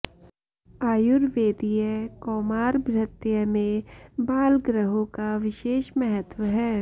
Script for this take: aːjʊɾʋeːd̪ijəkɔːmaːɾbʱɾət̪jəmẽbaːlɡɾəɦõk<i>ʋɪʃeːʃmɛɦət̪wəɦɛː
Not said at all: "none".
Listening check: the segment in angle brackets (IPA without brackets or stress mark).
a